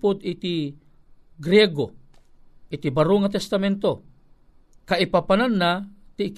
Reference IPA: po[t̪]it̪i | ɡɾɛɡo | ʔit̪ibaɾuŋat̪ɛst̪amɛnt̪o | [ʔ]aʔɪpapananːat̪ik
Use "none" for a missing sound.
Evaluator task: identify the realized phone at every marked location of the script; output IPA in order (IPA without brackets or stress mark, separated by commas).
d̪, k